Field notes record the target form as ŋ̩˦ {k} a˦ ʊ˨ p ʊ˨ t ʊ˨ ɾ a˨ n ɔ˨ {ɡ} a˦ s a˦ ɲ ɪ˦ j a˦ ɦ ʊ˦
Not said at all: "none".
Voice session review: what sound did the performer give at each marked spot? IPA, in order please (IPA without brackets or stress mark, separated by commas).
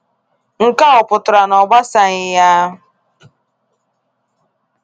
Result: k, ɡ͡b